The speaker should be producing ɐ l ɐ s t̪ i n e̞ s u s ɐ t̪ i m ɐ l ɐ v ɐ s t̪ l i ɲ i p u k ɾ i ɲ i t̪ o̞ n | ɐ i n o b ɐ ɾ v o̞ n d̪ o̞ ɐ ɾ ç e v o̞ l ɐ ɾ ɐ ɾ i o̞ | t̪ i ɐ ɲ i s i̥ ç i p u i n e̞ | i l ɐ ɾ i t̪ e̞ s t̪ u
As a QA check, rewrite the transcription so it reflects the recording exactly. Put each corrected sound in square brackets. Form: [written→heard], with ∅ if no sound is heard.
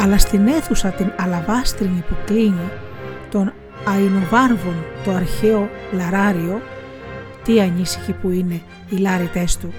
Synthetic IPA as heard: ɐ l ɐ s t̪ i n e̞ [s→θ] u s ɐ t̪ i [m→n] ɐ l ɐ v ɐ s t̪ [l→ɾ] i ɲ i p u k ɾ i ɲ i t̪ o̞ n | ɐ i n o [b→v] ɐ ɾ v o̞ n [d̪→t̪] o̞ ɐ ɾ ç e [v→∅] o̞ l ɐ ɾ ɐ ɾ i o̞ | t̪ i ɐ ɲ i s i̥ ç i p u i n e̞ | i l ɐ ɾ i t̪ e̞ s t̪ u